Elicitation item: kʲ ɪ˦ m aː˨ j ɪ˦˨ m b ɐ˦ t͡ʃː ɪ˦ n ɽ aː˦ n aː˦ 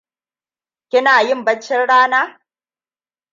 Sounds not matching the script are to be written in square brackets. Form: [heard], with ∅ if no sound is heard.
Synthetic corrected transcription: kʲ ɪ˦ [n] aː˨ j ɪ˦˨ m b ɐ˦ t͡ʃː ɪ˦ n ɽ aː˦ n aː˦